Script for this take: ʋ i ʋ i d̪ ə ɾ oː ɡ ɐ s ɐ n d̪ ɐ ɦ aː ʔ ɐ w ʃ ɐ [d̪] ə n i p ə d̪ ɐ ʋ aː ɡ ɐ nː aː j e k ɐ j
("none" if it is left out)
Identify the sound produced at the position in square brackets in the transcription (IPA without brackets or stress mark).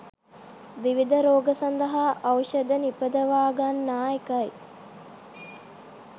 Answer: d̪